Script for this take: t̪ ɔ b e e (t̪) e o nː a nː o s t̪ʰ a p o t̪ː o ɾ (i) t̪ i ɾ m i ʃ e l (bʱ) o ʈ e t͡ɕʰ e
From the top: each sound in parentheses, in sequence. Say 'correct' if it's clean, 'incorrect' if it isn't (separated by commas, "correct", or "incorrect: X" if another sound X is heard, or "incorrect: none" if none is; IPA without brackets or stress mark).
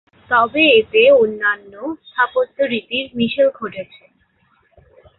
correct, correct, incorrect: ɡʱ